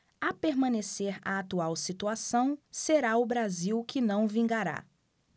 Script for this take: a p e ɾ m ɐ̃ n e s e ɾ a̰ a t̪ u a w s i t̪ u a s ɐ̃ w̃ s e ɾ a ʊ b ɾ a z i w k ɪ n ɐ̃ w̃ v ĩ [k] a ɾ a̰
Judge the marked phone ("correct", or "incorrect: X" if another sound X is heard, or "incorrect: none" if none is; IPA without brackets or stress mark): incorrect: ɡ